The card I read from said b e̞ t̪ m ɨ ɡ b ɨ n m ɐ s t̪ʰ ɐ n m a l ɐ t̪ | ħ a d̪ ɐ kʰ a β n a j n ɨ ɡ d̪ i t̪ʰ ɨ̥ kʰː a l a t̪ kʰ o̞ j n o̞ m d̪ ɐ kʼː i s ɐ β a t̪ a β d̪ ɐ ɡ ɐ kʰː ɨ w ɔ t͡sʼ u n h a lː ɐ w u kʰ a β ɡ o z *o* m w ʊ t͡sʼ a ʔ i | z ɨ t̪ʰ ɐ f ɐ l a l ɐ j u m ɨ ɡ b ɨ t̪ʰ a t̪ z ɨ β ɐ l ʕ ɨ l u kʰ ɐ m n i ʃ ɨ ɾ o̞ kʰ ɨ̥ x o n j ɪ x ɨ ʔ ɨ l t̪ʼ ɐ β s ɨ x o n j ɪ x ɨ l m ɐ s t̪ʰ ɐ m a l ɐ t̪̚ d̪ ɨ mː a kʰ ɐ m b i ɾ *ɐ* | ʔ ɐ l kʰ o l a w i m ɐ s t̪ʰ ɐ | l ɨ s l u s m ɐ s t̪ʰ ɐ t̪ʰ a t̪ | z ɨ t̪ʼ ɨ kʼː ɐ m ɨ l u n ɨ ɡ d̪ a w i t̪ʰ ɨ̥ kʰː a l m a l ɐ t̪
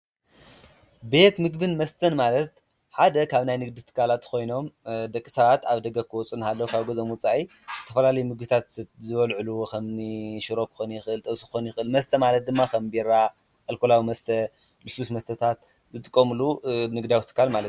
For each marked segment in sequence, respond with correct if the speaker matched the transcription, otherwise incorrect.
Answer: correct, incorrect: a

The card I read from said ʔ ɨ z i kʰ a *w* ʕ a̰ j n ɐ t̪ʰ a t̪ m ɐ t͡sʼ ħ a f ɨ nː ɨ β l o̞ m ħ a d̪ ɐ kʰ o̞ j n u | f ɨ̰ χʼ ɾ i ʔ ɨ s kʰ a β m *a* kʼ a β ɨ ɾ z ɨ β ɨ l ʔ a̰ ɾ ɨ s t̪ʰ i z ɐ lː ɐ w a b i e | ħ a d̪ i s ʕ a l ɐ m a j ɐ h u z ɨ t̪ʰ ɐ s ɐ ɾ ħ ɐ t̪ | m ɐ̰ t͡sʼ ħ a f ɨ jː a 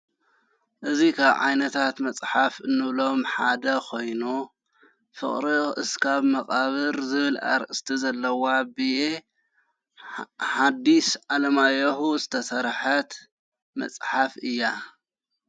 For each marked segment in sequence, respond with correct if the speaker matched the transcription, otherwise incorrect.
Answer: incorrect: β, incorrect: ɐ

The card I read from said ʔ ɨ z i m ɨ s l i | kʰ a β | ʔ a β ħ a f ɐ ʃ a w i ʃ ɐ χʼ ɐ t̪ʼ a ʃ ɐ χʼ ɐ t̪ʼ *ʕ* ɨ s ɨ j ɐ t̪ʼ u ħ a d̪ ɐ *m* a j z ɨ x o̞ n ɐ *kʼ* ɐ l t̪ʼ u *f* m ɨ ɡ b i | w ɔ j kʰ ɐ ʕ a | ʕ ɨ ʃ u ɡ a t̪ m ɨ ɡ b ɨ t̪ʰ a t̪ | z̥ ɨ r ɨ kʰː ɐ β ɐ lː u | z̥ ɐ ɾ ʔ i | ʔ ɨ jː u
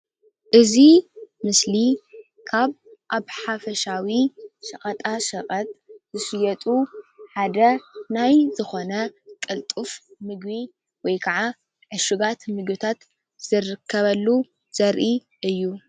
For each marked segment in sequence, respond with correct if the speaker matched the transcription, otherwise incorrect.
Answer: incorrect: z, incorrect: n, correct, correct

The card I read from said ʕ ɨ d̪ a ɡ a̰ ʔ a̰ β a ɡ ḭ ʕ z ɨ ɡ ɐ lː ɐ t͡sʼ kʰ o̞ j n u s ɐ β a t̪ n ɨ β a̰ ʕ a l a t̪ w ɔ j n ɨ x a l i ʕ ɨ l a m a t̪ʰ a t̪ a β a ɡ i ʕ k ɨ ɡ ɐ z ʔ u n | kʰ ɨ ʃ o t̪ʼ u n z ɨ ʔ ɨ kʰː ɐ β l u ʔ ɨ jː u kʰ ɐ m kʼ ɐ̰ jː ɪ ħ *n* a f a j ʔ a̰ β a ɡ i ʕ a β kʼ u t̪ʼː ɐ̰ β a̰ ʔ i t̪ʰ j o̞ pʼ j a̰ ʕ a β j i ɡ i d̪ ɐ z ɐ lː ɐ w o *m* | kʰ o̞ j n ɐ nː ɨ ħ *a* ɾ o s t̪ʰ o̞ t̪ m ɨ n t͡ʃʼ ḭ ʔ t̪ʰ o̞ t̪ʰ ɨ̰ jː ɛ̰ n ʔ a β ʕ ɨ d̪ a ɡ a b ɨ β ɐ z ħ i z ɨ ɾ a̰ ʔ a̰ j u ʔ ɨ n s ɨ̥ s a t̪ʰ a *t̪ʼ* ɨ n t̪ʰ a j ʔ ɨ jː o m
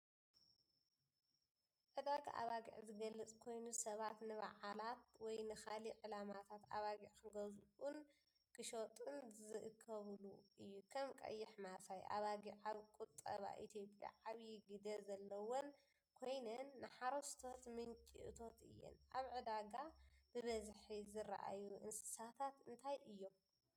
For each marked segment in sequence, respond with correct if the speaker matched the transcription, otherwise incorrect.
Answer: incorrect: m, incorrect: n, correct, incorrect: t̪

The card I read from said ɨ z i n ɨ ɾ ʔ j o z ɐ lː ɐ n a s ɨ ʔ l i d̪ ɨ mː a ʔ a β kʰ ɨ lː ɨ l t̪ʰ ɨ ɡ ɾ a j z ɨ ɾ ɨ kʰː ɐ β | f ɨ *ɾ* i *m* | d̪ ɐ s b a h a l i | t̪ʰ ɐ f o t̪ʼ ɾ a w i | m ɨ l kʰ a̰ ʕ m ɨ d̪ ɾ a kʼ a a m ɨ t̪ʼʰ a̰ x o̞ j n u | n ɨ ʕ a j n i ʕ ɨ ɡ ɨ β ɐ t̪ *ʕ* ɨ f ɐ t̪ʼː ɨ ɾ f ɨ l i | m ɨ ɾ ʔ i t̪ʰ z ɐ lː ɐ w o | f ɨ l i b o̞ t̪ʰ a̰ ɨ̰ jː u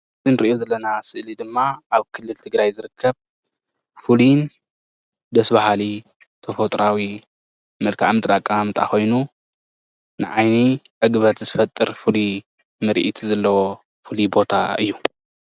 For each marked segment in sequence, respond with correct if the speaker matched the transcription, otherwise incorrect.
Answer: incorrect: l, incorrect: n, incorrect: z

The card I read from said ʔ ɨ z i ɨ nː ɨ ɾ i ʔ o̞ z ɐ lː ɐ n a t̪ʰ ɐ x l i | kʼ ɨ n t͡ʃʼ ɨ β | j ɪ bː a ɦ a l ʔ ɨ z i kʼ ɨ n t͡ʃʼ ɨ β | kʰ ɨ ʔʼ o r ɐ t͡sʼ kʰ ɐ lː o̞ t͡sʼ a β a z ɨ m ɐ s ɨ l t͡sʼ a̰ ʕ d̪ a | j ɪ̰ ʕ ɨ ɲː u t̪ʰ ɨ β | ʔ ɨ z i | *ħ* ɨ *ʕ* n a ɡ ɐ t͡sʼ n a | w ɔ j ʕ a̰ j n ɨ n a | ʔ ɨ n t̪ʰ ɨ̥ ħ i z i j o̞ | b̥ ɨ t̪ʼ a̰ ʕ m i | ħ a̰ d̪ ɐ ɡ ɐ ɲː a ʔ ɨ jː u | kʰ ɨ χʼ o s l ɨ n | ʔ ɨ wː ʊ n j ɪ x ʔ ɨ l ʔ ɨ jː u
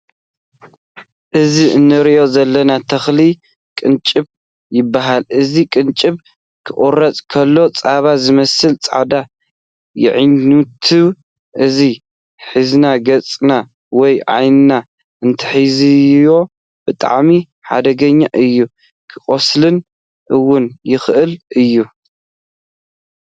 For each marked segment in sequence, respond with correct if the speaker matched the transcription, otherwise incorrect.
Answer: correct, incorrect: z

